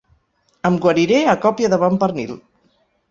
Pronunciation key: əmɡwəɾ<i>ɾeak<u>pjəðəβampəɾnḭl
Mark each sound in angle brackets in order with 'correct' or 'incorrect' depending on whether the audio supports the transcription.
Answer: correct, incorrect

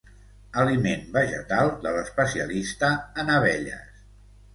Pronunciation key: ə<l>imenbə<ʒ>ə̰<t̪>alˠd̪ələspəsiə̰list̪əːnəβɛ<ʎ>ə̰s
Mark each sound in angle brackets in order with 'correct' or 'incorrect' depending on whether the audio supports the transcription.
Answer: correct, correct, correct, correct

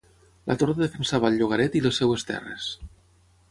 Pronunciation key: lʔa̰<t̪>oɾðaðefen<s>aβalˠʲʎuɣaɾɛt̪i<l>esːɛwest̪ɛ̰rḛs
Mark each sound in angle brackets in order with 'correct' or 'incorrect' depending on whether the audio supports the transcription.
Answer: correct, correct, correct

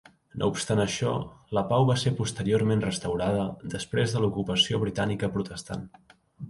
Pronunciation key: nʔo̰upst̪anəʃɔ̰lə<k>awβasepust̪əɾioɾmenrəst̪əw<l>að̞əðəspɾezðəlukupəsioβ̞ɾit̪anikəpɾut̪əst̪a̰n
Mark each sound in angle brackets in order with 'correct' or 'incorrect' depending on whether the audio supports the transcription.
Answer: incorrect, incorrect

